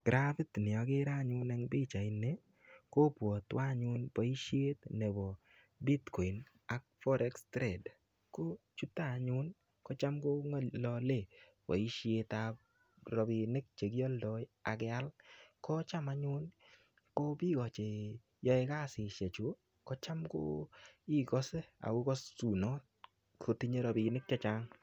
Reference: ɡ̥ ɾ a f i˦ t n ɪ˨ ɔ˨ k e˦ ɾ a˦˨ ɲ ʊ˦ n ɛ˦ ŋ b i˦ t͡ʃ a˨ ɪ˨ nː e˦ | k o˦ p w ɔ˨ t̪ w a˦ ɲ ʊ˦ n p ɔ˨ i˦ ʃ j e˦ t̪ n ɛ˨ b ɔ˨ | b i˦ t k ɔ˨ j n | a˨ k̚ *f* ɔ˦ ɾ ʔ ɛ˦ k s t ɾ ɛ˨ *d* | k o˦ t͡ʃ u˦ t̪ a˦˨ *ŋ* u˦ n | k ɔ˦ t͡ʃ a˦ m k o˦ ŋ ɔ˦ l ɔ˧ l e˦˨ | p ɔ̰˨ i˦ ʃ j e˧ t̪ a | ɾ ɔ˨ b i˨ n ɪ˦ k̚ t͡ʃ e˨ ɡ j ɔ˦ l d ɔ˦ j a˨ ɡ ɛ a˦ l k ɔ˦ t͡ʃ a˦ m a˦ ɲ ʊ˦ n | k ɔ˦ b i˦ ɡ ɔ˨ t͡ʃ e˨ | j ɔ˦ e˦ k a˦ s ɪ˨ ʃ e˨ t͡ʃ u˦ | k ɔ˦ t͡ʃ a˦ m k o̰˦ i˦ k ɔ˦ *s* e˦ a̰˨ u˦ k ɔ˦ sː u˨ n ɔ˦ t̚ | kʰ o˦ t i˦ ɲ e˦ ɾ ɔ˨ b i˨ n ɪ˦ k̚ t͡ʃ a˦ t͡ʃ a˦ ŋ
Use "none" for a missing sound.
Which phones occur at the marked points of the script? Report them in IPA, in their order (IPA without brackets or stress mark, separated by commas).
f, d, ɲ, s